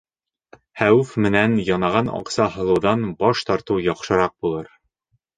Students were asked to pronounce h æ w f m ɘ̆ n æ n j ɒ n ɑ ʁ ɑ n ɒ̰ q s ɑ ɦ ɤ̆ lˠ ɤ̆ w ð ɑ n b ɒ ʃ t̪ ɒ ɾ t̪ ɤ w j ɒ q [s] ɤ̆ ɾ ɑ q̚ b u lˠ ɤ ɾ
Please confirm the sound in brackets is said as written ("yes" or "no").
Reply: no